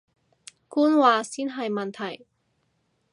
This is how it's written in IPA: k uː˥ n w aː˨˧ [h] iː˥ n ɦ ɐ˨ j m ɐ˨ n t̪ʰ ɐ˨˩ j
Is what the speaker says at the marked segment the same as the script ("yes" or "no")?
no